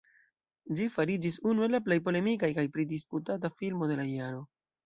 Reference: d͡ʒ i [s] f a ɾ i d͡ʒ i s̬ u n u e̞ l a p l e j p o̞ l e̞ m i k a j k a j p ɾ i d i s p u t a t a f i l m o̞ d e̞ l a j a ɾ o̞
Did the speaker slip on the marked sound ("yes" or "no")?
yes